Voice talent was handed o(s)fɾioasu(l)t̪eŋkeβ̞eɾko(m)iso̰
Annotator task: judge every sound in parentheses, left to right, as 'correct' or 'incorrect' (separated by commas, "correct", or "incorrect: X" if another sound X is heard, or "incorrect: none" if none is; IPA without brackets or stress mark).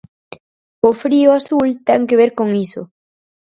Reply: incorrect: none, correct, incorrect: ŋ